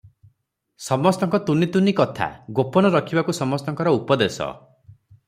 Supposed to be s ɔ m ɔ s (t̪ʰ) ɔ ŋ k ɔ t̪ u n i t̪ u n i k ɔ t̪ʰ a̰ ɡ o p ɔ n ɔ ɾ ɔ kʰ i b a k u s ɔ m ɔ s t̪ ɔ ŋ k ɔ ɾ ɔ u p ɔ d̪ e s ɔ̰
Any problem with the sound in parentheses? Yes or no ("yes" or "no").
yes